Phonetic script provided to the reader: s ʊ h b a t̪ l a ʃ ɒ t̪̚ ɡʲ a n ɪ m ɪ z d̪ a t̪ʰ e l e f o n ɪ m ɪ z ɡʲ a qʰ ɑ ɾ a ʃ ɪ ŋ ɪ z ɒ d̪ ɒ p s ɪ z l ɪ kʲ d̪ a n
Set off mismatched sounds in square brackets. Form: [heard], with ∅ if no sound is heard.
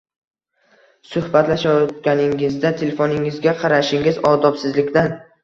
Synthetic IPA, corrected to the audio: s ʊ h b a t̪ l a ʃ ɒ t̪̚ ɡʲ a n ɪ [ŋ] ɪ z d̪ a t̪ʰ e l e f o n ɪ [ŋ] ɪ z ɡʲ a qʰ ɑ ɾ a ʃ ɪ ŋ ɪ z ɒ d̪ ɒ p s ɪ z l ɪ kʲ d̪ a n